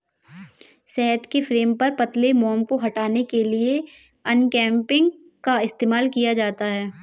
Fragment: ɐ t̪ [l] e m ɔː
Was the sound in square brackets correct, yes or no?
yes